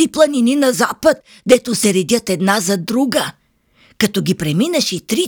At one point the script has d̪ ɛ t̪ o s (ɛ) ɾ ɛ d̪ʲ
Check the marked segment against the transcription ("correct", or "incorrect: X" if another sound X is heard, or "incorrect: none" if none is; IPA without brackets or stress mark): correct